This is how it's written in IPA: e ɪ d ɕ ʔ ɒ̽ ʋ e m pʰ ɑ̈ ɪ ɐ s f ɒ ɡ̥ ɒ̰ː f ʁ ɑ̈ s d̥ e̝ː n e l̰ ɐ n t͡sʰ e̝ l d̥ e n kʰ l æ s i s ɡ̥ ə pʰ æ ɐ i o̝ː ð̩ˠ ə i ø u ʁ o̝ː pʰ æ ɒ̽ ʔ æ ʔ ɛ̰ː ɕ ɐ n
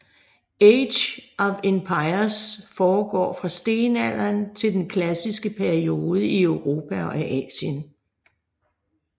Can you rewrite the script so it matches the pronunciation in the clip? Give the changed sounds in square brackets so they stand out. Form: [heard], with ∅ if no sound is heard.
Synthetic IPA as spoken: e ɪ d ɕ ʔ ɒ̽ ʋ e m pʰ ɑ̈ ɪ ɐ s f [ɒː] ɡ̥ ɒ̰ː f ʁ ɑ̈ s d̥ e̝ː n [æ] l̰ ɐ n t͡sʰ e̝ l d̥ e n kʰ l æ s i s ɡ̥ ə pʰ æ ɐ i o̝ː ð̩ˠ ə i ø [ʊ] ʁ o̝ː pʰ æ ɒ̽ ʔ æ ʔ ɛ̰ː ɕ [ə] n